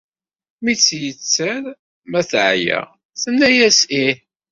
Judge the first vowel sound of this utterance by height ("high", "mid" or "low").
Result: high